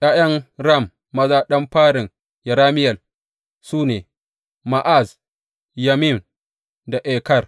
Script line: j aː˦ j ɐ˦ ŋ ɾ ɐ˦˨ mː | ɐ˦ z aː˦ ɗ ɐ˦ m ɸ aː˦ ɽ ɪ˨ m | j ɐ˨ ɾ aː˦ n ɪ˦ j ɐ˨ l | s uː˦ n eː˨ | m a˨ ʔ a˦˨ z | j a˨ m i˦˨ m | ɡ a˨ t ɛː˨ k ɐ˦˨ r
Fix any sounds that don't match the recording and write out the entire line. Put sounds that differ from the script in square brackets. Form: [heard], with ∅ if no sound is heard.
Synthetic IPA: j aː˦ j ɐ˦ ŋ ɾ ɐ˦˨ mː | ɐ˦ z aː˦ ɗ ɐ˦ m ɸ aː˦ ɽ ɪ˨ [ŋ] | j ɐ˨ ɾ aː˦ [m] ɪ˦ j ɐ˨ l | s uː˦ n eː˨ | m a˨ ʔ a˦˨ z | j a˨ m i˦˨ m | [d] a˨ [ʔ] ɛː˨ k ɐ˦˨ r